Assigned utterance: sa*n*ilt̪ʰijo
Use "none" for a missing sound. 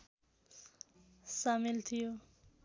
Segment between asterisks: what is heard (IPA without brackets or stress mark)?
m